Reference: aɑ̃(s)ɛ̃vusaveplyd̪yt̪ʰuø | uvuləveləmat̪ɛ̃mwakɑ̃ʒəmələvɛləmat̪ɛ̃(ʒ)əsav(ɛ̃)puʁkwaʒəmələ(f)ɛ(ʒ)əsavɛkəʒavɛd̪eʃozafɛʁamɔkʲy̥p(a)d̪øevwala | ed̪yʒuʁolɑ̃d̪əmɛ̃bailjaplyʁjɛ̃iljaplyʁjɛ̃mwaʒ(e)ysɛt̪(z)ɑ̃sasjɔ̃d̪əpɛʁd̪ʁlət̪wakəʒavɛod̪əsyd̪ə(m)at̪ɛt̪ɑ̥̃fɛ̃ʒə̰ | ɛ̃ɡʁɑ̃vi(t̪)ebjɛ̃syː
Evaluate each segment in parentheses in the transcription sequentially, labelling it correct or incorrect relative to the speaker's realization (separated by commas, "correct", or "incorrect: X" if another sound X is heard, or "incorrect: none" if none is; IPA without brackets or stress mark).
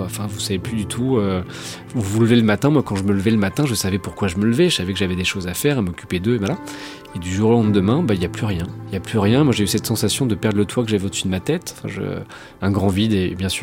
incorrect: f, correct, incorrect: ɛ, incorrect: v, correct, incorrect: e, correct, incorrect: s, correct, incorrect: d̪